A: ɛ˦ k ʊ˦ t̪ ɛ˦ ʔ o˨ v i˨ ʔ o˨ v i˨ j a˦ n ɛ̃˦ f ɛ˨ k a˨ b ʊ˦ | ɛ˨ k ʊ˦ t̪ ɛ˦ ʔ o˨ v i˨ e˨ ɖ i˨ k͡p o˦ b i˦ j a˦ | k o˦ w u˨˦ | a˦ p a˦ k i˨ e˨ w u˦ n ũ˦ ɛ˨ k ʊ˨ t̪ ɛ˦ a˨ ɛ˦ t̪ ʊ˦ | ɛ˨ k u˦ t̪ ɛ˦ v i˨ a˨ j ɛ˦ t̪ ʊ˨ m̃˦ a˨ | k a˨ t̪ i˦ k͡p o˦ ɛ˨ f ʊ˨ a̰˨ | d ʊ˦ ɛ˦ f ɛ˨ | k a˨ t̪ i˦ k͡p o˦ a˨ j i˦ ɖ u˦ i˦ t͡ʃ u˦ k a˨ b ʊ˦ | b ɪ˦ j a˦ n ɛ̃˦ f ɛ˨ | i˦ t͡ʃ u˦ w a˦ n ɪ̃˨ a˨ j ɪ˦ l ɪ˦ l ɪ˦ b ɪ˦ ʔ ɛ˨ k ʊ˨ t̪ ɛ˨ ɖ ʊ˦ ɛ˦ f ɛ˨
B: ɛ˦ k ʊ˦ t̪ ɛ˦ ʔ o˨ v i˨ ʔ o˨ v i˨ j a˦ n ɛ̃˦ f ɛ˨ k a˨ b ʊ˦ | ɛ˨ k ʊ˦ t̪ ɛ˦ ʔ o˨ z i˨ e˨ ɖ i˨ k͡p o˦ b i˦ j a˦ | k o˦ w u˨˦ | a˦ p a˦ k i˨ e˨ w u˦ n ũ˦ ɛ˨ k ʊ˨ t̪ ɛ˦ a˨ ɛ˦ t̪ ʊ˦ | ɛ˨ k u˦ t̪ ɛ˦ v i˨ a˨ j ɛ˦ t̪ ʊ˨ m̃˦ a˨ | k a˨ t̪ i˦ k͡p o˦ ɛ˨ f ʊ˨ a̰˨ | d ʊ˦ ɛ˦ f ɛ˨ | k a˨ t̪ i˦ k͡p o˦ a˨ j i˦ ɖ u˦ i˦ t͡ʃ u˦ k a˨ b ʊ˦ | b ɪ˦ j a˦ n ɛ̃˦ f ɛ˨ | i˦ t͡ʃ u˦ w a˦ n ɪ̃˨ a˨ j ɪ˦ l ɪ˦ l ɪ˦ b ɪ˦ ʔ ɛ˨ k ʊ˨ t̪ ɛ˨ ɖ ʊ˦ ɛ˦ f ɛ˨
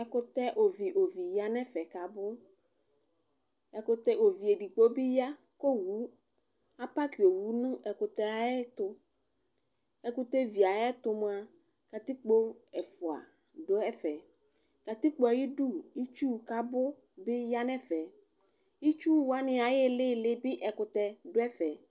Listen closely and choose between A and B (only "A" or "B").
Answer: A